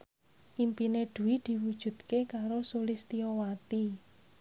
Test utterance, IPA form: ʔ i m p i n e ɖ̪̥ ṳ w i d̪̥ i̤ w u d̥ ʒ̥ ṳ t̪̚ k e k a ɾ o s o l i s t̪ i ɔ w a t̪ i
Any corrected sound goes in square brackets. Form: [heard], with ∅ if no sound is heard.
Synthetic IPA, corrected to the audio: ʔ i m p i n e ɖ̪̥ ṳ w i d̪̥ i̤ w u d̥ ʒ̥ ṳ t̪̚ k e k a ɾ o s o l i s t̪ i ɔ w a t̪ i